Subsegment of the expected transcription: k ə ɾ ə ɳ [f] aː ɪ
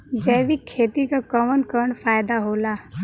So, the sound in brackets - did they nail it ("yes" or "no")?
yes